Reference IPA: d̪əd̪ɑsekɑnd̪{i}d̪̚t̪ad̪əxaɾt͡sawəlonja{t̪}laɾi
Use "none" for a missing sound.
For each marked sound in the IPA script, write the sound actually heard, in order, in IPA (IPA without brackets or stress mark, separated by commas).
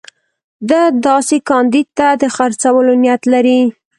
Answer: i, t̪